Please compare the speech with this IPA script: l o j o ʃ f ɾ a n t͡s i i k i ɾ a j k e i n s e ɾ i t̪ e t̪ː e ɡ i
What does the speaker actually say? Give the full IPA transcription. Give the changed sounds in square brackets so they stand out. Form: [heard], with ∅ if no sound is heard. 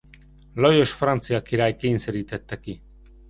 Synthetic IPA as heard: l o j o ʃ f ɾ a n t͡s i [a] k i ɾ a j k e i n s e ɾ i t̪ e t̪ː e [k] i